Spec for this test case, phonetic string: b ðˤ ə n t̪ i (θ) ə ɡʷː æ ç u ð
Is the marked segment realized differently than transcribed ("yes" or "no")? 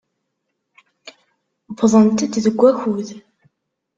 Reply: yes